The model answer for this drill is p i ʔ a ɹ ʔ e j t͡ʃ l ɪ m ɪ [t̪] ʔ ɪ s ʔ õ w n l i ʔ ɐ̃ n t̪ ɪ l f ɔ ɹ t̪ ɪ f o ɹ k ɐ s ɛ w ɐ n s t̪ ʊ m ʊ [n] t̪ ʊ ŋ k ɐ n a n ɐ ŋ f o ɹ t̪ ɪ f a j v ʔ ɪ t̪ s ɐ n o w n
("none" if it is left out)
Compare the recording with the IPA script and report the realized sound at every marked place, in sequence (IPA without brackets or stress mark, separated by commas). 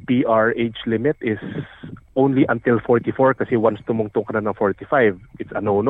t̪, ŋ